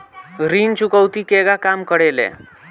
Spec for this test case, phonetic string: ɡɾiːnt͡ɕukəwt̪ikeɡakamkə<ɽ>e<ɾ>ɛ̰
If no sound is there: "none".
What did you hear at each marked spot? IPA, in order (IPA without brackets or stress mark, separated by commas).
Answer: ɽ, l